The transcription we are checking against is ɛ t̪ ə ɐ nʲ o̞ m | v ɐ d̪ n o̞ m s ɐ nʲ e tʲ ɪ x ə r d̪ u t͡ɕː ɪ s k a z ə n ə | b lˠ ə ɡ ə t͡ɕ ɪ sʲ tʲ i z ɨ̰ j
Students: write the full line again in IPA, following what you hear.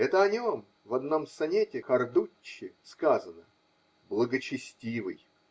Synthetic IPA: ɛ t̪ ə ɐ nʲ o̞ m | v ɐ d̪ n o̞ m s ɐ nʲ e tʲ ɪ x ɐ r d̪ u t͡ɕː ɪ s k a z ə n ə | b lˠ ə ɡ ə t͡ɕ ɪ sʲ tʲ i v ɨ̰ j